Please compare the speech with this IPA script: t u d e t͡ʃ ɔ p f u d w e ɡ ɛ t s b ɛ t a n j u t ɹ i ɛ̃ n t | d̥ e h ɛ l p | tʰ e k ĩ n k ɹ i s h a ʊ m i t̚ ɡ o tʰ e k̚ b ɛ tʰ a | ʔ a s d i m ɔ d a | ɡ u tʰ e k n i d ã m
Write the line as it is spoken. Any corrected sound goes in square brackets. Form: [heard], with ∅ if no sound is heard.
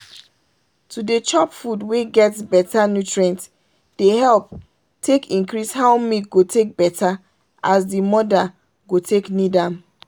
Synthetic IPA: t u d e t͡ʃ ɔ p f u d w e ɡ ɛ t s b ɛ t a n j u t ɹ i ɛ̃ n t | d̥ e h ɛ l p | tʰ e k ĩ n k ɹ i s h a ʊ m i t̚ ɡ o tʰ e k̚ b ɛ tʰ a | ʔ a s d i m ɔ d a | ɡ [o] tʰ e k n i d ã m